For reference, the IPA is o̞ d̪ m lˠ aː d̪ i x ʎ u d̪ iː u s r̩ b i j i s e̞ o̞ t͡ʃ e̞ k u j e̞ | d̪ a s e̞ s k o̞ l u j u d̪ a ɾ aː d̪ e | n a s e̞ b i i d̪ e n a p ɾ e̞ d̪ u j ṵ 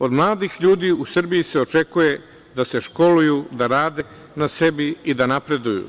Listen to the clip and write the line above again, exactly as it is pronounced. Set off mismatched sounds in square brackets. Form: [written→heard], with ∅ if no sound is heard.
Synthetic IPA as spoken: o̞ d̪ m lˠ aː d̪ i x ʎ [u→uː] d̪ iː u s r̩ b i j i s e̞ o̞ t͡ʃ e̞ k u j e̞ | d̪ a s e̞ [s→ʃ] k o̞ l u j u d̪ a ɾ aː d̪ e | n a s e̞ b i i d̪ [e→a] n a p ɾ e̞ d̪ u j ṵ